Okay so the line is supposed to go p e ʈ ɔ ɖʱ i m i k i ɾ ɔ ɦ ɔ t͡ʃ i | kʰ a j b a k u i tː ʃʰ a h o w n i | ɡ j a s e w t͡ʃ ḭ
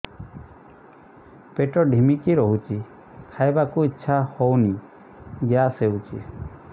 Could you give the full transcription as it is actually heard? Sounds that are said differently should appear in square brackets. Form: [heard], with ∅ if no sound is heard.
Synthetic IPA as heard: p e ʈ ɔ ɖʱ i m i k i ɾ ɔ ɦ [u] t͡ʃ i | kʰ a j b a k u i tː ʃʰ a h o w n i | ɡ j a s e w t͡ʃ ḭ